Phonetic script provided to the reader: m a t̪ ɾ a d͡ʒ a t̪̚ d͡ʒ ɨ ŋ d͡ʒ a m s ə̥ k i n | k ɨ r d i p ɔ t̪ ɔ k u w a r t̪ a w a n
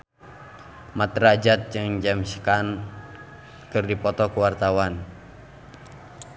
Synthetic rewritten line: m a t̪ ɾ a d͡ʒ a t̪̚ d͡ʒ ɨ ŋ d͡ʒ a m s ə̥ k a n | k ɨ r d i p ɔ t̪ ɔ k u w a r t̪ a w a n